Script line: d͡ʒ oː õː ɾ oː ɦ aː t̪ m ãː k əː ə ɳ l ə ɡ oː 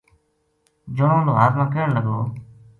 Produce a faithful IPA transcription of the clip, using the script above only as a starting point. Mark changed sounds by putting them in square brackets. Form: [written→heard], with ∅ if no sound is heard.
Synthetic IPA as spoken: d͡ʒ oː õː [ɾ→l] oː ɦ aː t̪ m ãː k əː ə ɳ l ə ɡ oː